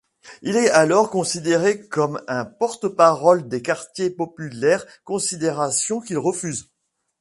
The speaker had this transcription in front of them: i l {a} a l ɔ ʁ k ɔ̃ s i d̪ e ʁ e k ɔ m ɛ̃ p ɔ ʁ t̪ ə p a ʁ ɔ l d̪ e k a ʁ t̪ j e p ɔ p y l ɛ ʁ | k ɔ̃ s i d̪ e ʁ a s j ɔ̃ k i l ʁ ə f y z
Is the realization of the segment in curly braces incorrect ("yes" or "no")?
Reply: yes